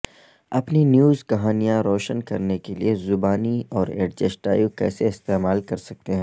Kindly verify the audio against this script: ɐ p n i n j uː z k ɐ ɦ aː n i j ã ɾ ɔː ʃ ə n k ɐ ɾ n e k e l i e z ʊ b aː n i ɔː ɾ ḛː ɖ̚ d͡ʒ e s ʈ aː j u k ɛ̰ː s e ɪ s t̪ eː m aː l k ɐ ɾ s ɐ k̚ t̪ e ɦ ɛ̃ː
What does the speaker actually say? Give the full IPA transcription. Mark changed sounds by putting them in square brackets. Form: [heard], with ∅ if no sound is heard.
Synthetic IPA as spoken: ɐ p n i n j uː z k ɐ ɦ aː n i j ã ɾ ɔː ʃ ə n k ɐ ɾ n e k e l i e z ʊ b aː n i ɔː ɾ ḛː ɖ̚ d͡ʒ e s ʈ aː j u k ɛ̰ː s e ɪ s t̪ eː m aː l k ɐ ɾ s ɐ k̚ t̪ e ɦ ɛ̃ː